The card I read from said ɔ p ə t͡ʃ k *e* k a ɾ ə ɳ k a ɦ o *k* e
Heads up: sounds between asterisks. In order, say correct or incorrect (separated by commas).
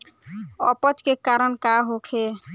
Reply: correct, incorrect